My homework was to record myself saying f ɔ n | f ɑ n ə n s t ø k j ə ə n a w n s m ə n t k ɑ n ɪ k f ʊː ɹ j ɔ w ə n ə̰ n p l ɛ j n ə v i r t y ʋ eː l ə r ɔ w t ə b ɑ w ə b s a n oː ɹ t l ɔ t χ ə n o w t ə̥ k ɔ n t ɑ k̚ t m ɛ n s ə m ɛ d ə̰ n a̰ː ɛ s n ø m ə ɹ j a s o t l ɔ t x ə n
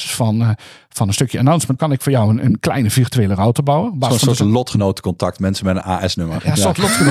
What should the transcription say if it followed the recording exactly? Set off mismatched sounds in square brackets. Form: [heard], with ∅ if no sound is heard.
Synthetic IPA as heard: f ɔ n | f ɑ n ə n s t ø k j ə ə n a w n s m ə n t k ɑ n ɪ k f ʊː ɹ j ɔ w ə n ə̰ n [k] l ɛ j n ə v i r t y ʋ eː l ə r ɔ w t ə b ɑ w ə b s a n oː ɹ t l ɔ t χ ə n o w t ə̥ k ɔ n t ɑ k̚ t m ɛ n s ə m ɛ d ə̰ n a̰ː ɛ s n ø m ə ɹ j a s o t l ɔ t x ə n